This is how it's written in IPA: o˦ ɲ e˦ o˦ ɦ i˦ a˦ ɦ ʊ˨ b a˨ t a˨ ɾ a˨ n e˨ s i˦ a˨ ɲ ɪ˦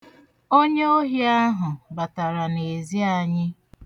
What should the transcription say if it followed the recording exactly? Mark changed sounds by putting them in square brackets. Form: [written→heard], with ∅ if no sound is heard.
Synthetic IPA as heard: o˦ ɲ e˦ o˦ ɦ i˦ a˦ ɦ ʊ˨ b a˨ t a˨ ɾ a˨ n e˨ [s→z] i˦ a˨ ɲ ɪ˦